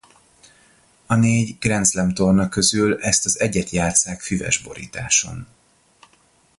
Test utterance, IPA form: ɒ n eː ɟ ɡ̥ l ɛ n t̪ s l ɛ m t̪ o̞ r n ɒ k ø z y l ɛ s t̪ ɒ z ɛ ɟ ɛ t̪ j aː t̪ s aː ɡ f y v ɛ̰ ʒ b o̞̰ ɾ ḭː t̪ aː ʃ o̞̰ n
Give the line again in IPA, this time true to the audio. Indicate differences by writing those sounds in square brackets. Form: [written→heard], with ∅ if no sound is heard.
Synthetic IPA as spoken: ɒ n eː ɟ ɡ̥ [l→r] ɛ n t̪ s l ɛ m t̪ o̞ r n ɒ k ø z y l ɛ s t̪ ɒ z ɛ ɟ ɛ t̪ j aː t̪ s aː [ɡ→k] f y v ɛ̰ ʒ b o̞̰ ɾ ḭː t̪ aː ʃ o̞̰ n